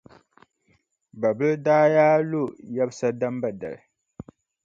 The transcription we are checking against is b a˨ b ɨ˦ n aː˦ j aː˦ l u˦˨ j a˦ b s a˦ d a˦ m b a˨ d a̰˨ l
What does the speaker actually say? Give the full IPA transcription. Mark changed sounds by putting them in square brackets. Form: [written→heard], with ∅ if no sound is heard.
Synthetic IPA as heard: b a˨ b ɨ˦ [n→d] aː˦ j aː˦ l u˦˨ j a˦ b s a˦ d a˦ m b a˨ d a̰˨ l